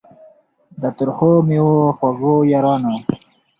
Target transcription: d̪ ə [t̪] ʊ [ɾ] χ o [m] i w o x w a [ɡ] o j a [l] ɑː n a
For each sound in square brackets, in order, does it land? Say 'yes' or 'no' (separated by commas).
yes, yes, yes, yes, no